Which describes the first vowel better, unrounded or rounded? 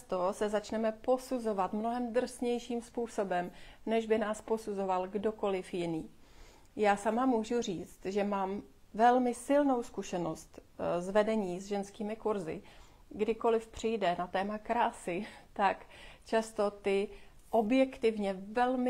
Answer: rounded